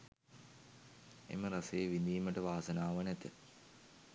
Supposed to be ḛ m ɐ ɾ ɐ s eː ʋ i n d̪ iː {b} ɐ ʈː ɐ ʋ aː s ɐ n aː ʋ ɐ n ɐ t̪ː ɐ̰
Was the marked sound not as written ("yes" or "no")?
yes